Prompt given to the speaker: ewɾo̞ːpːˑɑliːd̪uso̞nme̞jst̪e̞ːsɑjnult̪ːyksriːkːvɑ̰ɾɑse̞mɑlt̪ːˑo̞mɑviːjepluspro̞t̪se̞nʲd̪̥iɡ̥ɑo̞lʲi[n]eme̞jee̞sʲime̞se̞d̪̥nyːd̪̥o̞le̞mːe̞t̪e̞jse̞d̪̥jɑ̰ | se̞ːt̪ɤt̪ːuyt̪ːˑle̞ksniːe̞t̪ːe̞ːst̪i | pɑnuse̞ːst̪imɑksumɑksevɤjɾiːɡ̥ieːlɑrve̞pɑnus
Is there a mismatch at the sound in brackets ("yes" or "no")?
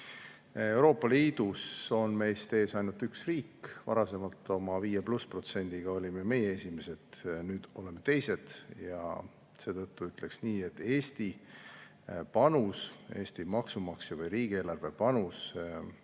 yes